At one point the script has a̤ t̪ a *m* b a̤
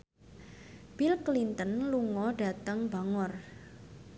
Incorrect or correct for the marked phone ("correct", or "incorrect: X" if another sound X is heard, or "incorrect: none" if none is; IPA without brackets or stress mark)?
incorrect: ŋ